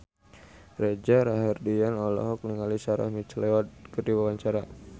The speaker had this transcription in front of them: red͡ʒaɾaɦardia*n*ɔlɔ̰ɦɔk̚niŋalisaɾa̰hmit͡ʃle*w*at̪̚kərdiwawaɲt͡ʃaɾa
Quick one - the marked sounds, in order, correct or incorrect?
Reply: correct, correct

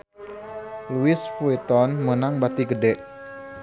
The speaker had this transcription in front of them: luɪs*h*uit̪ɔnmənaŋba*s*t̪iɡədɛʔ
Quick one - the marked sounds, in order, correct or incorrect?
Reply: incorrect: f, incorrect: none

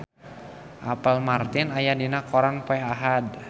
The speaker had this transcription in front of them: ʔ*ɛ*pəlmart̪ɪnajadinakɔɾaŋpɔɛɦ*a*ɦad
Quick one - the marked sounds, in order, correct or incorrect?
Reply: incorrect: a, correct

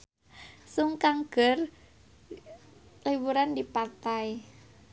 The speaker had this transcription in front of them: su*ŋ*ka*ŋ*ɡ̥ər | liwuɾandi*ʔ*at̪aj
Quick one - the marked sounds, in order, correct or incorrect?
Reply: correct, correct, incorrect: p

